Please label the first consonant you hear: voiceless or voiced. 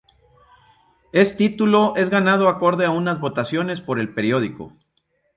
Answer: voiceless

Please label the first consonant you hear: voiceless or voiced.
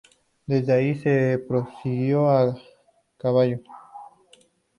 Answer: voiced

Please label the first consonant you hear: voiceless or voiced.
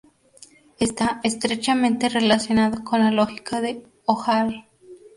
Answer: voiceless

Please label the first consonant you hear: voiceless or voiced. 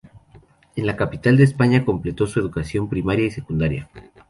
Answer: voiced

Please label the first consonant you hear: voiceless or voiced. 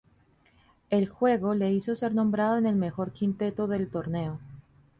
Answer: voiced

